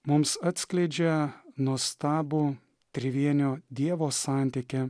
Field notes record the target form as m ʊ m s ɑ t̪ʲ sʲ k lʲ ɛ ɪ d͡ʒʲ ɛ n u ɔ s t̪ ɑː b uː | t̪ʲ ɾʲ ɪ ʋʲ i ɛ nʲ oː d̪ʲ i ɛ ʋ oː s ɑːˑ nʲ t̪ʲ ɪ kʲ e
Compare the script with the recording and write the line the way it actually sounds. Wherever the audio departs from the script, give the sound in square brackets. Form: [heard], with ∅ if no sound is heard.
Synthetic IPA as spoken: m ʊ m s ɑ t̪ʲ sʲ k lʲ ɛ ɪ d͡ʒʲ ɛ n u ɔ s t̪ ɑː b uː | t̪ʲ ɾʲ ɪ ʋʲ i ɛ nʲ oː d̪ʲ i ɛ ʋ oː s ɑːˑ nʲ t̪ʲ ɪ kʲ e